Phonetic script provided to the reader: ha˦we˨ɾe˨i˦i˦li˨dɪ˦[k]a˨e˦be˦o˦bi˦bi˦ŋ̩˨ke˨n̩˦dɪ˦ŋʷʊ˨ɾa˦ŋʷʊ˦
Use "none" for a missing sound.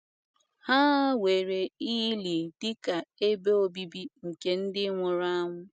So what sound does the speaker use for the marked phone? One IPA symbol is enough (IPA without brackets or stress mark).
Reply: k